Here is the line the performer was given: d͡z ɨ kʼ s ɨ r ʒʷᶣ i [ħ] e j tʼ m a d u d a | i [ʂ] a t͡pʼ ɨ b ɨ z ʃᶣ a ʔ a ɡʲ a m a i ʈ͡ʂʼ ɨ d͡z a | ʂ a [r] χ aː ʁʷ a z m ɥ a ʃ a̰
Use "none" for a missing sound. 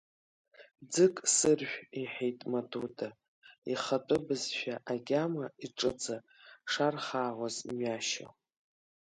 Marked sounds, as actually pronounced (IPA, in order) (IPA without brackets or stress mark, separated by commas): ħ, χ, r